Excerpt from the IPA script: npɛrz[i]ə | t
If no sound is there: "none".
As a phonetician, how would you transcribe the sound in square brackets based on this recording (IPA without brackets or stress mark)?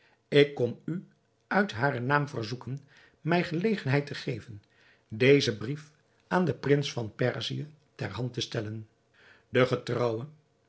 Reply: i